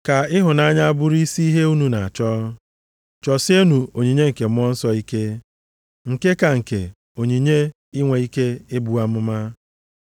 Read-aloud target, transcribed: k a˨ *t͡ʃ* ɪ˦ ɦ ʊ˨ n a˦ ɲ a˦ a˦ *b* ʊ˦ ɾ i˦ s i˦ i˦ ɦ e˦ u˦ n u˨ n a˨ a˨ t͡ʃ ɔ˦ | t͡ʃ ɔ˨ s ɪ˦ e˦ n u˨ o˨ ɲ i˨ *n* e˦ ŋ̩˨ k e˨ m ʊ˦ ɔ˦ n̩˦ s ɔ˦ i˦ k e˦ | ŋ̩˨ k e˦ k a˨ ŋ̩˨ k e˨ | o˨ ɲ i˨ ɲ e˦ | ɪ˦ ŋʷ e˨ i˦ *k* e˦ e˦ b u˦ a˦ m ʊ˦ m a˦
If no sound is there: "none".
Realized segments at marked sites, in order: none, b, ɲ, k

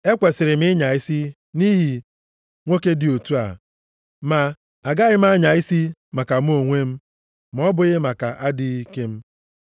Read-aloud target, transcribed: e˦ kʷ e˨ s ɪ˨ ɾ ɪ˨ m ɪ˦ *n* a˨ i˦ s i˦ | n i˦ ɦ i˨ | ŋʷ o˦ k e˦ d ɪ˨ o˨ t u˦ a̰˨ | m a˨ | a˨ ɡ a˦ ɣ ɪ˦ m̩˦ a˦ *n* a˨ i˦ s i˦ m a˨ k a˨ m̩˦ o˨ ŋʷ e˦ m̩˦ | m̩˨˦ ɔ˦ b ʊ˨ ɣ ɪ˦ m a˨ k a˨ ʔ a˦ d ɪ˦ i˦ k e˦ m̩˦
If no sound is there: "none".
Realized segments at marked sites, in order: ɲ, ɲ

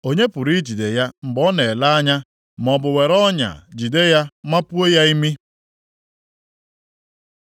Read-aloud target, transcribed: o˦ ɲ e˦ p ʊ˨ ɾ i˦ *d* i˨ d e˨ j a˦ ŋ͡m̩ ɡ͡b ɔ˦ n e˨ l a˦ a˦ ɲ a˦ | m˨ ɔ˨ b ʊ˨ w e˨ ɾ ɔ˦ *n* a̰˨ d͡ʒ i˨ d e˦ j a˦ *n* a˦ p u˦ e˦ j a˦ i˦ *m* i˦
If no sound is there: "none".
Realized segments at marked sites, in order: d͡ʒ, ɲ, m, m

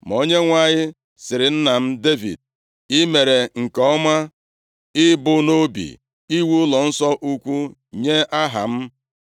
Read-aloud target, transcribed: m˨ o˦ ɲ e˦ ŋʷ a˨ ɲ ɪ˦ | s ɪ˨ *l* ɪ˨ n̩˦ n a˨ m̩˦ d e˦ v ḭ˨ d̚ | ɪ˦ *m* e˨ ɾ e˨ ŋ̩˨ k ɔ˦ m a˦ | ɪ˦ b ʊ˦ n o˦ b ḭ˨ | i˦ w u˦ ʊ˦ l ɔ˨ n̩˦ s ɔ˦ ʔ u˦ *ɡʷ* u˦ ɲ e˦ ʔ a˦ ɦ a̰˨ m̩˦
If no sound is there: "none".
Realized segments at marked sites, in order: ɾ, m, kʷ

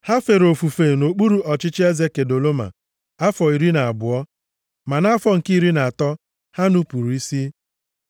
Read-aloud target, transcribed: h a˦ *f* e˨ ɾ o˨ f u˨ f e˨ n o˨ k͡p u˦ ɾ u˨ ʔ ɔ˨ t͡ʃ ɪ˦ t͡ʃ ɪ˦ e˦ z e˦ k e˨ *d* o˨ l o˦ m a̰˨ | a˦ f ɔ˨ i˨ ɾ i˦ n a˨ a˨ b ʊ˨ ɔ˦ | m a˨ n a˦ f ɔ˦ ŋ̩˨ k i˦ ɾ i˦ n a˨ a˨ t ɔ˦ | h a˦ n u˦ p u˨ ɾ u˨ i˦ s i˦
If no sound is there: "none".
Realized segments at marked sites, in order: f, d

